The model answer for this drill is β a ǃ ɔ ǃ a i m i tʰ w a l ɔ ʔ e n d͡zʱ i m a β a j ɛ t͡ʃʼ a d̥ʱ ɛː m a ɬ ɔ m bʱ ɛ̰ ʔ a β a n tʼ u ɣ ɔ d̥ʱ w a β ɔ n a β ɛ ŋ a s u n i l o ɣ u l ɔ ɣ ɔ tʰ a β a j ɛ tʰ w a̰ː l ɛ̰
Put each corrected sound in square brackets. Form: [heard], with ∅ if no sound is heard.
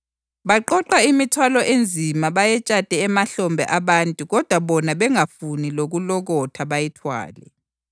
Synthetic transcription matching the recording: β a ǃ ɔ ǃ a i m i tʰ w a l ɔ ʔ e n d͡zʱ i m a β a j ɛ t͡ʃʼ a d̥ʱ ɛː m a ɬ ɔ m bʱ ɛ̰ ʔ a β a n tʼ u ɣ ɔ d̥ʱ w a β ɔ n a β ɛ ŋ a [f] u n i l o ɣ u l ɔ ɣ ɔ tʰ a β a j ɛ tʰ w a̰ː l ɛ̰